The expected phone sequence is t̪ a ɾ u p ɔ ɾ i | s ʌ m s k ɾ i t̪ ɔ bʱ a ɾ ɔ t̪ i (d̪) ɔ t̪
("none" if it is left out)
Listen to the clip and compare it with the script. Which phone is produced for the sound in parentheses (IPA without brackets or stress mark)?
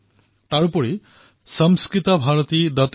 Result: d̪